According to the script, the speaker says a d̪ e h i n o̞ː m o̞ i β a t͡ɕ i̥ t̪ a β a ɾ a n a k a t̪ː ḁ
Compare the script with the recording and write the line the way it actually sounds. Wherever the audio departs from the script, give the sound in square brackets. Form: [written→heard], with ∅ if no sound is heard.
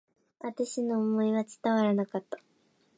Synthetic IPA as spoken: a [d̪→t̪] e [h→ɕ] i n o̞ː m o̞ i β a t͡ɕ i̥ t̪ a β a ɾ a n a k a t̪ː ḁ

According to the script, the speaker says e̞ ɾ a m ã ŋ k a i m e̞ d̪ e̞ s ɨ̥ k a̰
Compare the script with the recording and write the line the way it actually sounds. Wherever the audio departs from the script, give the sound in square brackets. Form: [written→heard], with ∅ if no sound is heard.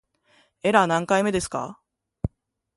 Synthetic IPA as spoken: e̞ ɾ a [m→n] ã ŋ k a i m e̞ d̪ e̞ s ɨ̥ k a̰

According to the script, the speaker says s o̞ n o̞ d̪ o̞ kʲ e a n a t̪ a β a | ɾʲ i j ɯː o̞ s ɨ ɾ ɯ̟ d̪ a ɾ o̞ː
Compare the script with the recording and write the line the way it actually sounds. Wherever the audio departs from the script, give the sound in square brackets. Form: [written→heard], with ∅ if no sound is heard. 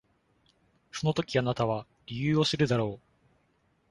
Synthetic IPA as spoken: s o̞ n o̞ [d̪→t̪] o̞ kʲ [e→i] a n a t̪ a β a | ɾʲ i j ɯː o̞ s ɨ ɾ ɯ̟ d̪ a ɾ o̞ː

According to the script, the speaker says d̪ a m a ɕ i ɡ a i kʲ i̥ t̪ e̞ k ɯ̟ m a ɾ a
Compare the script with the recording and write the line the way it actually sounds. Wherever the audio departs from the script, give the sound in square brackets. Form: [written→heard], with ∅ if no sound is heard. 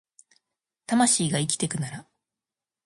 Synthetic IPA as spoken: [d̪→t̪] a m a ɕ [i→iː] ɡ a i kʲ i̥ t̪ e̞ k ɯ̟ [m→n] a ɾ a

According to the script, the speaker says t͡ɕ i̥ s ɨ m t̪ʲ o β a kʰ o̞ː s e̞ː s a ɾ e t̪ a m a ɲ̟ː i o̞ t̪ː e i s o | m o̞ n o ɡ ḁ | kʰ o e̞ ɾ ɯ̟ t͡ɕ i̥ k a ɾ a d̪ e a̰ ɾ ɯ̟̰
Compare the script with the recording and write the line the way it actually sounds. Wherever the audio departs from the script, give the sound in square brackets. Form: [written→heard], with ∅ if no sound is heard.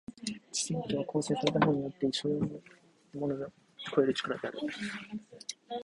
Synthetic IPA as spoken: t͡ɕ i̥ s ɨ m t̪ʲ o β a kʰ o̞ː s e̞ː s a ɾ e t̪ a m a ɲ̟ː i o̞ t̪ː e i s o | m o̞ n o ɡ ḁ | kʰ o e̞ ɾ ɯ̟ t͡ɕ i̥ k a ɾ a d̪ e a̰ ɾ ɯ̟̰

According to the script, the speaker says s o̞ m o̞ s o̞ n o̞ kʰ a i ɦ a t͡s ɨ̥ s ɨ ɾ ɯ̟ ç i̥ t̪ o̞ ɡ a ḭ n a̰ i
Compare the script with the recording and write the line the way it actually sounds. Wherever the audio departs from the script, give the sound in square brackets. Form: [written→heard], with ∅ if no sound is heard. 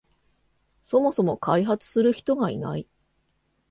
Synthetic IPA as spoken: s o̞ m o̞ s o̞ [n→m] o̞ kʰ a i ɦ a t͡s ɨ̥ s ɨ ɾ ɯ̟ ç i̥ t̪ o̞ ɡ a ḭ n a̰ i

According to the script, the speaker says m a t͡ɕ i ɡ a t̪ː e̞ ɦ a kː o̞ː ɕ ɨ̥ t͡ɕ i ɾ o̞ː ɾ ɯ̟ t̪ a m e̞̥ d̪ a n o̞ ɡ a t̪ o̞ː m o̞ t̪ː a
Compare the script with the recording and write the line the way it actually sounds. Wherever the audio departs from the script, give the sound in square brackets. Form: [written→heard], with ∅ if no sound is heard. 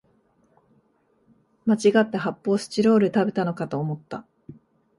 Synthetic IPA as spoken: m a t͡ɕ i ɡ a t̪ː e̞ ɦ a [kː→pː] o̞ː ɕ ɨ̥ t͡ɕ i ɾ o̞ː ɾ ɯ̟ t̪ a [m→b] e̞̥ [d̪→t̪] a n o̞ [ɡ→k] a t̪ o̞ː m o̞ t̪ː a

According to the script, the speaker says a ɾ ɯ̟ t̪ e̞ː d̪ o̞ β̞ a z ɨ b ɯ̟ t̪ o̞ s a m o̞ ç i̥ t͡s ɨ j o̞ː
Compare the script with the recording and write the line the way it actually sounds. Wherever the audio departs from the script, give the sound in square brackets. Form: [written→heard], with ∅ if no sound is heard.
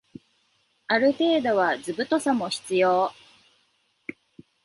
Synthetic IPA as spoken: a ɾ ɯ̟ t̪ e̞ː d̪ o̞ β̞ a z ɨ b ɯ̟ t̪ o̞ s a m o̞ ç i̥ t͡s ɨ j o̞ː

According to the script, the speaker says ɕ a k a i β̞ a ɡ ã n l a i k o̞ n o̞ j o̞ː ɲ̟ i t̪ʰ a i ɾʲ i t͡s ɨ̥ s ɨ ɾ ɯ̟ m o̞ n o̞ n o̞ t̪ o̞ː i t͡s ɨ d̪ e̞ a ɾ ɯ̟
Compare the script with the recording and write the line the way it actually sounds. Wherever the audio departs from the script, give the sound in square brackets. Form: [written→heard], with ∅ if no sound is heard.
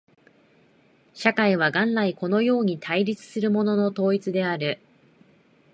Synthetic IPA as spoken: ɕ a k a i β̞ a ɡ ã n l a i k o̞ n o̞ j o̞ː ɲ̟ i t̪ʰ a i ɾʲ i t͡s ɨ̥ s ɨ ɾ ɯ̟ m o̞ n o̞ n o̞ t̪ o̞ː i t͡s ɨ d̪ e̞ a ɾ ɯ̟

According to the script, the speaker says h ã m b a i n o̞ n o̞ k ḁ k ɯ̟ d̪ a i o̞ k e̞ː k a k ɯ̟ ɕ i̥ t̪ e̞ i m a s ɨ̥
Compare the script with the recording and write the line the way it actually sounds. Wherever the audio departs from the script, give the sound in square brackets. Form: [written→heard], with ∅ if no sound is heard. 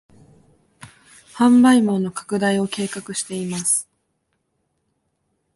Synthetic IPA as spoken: h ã m b a i [n→m] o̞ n o̞ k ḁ k ɯ̟ d̪ a i o̞ k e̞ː k a k ɯ̟ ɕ i̥ t̪ e̞ i m a s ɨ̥

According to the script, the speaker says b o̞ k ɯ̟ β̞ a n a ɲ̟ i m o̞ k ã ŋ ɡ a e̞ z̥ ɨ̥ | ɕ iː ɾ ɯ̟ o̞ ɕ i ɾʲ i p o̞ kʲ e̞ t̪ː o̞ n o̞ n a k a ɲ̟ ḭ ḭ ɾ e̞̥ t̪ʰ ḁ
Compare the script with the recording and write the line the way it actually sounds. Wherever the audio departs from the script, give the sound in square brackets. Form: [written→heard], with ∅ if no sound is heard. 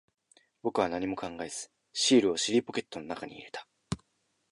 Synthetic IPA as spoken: b o̞ k ɯ̟ β̞ a n a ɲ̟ i m o̞ k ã ŋ ɡ a e̞ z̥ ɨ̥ | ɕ iː ɾ ɯ̟ o̞ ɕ i ɾʲ i p o̞ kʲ e̞ t̪ː o̞ n o̞ n a k a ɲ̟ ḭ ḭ ɾ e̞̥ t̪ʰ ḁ

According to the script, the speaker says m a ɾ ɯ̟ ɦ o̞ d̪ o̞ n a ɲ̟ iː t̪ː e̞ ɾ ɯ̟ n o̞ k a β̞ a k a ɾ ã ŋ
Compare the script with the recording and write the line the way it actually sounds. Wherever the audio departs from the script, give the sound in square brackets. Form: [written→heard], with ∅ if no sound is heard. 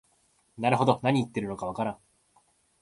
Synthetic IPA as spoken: [m→n] a ɾ ɯ̟ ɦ o̞ d̪ o̞ n a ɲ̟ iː t̪ː e̞ ɾ ɯ̟ n o̞ k a β̞ a k a ɾ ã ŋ

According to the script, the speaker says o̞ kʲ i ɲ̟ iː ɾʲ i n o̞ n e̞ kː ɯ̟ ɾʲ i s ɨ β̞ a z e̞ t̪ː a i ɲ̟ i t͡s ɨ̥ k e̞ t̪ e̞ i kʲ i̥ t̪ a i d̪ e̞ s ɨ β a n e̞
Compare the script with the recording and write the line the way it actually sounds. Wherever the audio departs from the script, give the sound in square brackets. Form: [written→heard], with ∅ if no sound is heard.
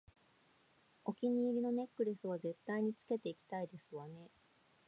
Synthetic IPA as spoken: o̞ kʲ i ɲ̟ iː ɾʲ i n o̞ n e̞ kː ɯ̟ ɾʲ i s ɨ β̞ a z e̞ t̪ː a i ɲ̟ i t͡s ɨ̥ k e̞ t̪ e̞ i kʲ i̥ t̪ a i d̪ e̞ s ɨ β a n e̞

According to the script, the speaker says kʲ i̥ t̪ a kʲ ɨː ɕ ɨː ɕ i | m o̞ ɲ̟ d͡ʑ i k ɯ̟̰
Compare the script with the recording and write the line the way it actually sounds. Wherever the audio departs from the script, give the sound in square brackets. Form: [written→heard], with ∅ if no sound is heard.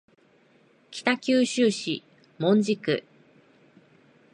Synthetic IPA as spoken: kʲ i̥ t̪ a kʲ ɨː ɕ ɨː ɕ i | m [o̞→õ̞] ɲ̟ d͡ʑ i k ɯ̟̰

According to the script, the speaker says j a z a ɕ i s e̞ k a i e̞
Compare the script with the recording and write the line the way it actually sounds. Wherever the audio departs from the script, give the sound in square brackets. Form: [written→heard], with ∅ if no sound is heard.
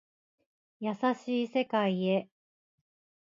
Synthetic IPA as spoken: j a [z→s] a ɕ [i→iː] s e̞ k a i e̞

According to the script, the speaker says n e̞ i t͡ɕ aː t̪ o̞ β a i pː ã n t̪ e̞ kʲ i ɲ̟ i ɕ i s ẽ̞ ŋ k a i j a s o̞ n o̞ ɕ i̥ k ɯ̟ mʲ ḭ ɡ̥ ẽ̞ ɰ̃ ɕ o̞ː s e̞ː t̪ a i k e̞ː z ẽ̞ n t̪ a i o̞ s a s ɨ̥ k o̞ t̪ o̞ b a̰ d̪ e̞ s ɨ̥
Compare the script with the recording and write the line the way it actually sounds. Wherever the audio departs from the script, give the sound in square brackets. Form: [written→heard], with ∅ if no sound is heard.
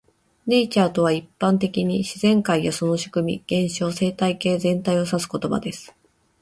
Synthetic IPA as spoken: n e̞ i t͡ɕ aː t̪ o̞ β a i pː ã n t̪ e̞ kʲ i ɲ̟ i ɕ i [s→z] ẽ̞ ŋ k a i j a s o̞ n o̞ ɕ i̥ k ɯ̟ mʲ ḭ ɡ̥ ẽ̞ ɰ̃ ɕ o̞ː s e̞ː t̪ a i k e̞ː z ẽ̞ n t̪ a i o̞ s a s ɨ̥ k o̞ t̪ o̞ b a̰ d̪ e̞ s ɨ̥

